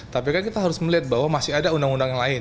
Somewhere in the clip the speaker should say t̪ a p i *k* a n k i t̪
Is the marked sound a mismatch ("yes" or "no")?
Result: no